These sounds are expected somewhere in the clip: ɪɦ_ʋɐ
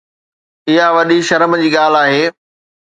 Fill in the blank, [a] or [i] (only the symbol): a